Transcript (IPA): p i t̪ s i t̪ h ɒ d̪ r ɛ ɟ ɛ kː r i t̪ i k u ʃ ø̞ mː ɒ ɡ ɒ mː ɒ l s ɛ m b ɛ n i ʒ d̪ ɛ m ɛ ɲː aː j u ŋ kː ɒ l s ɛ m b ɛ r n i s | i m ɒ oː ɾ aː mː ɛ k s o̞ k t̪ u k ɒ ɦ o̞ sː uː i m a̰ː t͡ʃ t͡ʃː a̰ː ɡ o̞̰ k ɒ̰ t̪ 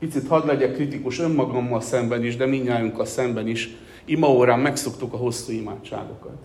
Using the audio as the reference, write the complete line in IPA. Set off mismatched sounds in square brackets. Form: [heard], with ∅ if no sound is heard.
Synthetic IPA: p i t̪ s i t̪ h ɒ d̪ [l] ɛ ɟ ɛ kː r i t̪ i k u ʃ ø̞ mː ɒ ɡ ɒ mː ɒ l s ɛ m b ɛ n i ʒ d̪ ɛ m [i] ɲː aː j u ŋ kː ɒ l s ɛ m b ɛ [∅] n i [ʃ] | i m ɒ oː ɾ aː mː ɛ k s o̞ k t̪ u k ɒ ɦ o̞ sː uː i m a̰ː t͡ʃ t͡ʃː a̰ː ɡ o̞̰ k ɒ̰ t̪